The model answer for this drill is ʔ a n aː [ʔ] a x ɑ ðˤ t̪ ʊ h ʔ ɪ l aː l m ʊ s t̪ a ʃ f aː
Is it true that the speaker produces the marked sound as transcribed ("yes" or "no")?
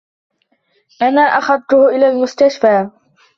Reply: yes